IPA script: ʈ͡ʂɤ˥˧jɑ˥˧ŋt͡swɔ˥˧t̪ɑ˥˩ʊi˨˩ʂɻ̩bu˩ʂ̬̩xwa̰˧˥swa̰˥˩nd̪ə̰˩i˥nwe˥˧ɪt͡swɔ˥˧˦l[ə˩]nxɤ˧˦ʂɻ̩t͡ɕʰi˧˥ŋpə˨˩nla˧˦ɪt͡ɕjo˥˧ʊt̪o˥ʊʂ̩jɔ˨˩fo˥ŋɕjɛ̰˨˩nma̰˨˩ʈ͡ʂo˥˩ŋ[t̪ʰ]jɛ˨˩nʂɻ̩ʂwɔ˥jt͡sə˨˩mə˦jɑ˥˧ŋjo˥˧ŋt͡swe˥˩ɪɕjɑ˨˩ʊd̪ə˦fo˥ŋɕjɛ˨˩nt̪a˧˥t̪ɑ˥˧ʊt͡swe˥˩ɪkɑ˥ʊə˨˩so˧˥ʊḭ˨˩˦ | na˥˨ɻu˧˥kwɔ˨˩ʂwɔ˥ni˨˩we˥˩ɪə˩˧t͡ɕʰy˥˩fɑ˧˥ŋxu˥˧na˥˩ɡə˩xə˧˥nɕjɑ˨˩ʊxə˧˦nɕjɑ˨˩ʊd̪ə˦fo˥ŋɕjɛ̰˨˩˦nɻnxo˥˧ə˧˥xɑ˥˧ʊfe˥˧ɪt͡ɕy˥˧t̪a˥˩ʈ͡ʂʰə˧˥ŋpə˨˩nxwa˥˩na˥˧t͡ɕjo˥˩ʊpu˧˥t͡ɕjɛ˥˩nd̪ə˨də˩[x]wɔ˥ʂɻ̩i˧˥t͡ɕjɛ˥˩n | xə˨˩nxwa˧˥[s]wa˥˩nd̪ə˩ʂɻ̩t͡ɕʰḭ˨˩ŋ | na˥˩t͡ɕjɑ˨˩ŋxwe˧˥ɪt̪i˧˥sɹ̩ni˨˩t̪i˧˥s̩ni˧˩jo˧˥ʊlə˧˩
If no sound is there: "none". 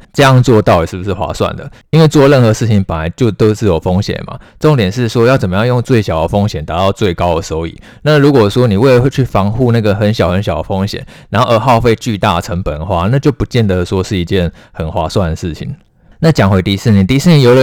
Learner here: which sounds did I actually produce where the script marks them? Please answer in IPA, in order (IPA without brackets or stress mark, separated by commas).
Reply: ə˥˩, t̪, ʂ, s